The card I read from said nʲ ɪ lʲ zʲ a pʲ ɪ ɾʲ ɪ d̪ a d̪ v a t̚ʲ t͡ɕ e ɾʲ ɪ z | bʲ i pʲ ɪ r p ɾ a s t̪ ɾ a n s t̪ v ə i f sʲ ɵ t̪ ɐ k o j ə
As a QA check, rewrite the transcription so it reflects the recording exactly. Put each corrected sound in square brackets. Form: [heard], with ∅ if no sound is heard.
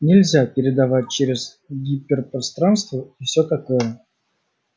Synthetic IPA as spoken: nʲ ɪ lʲ zʲ a pʲ ɪ ɾʲ ɪ d̪ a [∅] v a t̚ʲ t͡ɕ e ɾʲ ɪ z | [ɡʲ] i pʲ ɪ r p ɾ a s t̪ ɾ a n s t̪ v ə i f sʲ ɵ t̪ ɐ k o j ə